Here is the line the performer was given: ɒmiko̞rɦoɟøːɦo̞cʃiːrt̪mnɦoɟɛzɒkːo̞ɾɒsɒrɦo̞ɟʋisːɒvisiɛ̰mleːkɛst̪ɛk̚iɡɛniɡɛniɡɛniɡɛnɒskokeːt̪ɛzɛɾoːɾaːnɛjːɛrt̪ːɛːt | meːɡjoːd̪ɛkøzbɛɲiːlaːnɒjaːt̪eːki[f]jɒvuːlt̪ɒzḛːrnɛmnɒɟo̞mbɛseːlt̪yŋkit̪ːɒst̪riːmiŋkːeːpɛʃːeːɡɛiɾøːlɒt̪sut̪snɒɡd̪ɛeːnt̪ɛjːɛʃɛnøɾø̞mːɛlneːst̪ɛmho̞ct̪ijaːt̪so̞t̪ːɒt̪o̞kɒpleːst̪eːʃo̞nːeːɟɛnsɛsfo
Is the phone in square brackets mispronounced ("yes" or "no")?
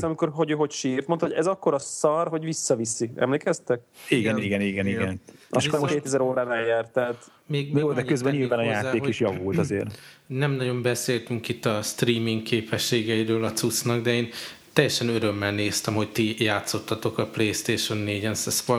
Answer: yes